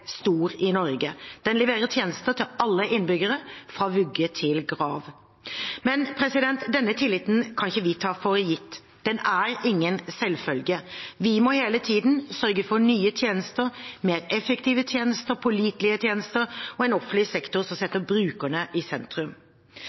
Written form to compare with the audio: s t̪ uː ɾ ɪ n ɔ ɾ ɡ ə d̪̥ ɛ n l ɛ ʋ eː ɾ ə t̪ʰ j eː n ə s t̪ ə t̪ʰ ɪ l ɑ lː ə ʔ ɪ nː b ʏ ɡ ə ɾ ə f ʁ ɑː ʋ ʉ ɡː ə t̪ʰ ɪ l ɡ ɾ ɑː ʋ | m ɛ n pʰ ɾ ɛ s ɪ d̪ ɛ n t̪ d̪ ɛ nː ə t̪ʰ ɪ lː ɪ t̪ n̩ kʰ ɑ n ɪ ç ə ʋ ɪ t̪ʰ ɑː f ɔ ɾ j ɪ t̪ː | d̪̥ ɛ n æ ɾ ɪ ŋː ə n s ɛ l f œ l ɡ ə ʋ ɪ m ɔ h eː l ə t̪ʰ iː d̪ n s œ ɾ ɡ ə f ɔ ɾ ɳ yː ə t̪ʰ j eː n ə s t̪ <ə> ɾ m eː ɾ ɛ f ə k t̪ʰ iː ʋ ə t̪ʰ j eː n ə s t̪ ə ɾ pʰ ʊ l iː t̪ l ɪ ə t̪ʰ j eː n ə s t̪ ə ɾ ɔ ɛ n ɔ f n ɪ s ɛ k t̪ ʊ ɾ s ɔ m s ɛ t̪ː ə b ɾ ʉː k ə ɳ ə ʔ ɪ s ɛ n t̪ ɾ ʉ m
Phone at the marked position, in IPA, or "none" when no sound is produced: ə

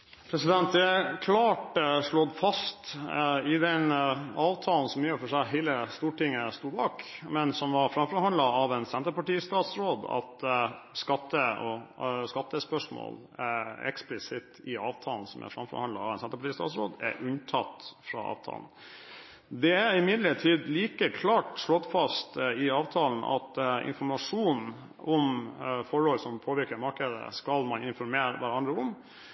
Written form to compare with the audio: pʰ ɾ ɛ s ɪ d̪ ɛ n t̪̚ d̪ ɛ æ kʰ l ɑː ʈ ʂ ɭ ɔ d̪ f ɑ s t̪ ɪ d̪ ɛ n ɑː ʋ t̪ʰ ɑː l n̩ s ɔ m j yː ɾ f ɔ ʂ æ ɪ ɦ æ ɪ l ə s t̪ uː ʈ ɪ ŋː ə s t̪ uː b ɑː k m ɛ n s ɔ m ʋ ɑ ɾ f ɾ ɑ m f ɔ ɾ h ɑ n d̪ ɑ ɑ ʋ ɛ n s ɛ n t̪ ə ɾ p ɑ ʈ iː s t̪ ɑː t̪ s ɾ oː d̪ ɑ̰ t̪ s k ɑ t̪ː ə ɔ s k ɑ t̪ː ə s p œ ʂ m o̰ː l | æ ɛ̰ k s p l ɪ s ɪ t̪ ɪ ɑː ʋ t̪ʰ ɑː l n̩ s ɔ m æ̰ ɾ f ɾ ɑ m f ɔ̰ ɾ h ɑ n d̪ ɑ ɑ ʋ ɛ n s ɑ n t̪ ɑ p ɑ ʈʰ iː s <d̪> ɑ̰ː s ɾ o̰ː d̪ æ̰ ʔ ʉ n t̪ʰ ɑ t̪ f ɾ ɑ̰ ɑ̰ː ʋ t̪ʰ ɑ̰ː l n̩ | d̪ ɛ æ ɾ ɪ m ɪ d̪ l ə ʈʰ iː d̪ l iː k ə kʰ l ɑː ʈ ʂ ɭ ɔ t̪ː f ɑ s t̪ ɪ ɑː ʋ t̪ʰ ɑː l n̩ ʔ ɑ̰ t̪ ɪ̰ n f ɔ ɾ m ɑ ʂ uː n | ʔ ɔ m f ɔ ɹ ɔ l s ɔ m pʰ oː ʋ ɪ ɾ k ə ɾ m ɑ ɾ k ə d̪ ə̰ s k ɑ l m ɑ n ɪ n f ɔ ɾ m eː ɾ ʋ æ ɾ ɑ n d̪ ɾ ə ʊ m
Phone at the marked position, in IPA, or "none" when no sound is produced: t̪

